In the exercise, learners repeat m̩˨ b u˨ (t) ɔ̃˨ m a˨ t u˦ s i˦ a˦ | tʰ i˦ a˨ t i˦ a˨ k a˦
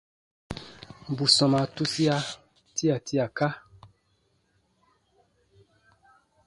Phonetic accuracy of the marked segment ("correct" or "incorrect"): incorrect